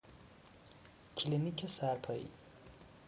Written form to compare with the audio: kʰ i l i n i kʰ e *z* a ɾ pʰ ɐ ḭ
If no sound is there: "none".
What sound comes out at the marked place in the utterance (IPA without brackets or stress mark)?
s